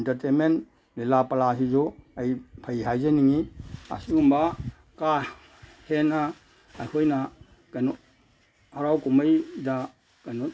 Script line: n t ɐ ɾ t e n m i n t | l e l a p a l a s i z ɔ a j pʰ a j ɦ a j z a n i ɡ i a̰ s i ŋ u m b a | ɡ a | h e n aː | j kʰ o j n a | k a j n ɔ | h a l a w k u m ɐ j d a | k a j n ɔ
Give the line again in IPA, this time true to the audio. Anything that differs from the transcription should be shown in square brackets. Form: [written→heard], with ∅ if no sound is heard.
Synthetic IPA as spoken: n t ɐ ɾ t e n m [i→e] n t | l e l a p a l a s i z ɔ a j pʰ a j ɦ a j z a n i [ɡ→ŋ] i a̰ s i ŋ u m b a | [ɡ→k] a | h e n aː | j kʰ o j n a | k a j n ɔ | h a [l→ɾ] a w k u m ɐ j d a | k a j n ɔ